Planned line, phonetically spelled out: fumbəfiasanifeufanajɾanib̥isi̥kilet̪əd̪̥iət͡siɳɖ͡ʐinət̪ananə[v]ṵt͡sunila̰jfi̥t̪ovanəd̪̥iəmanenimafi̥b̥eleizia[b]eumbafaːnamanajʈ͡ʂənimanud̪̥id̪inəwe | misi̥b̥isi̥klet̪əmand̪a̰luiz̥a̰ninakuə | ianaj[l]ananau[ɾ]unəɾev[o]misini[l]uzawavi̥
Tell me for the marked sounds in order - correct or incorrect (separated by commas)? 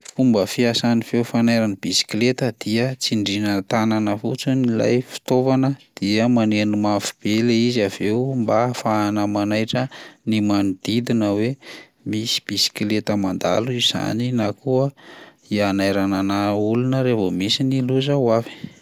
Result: incorrect, incorrect, incorrect, incorrect, correct, correct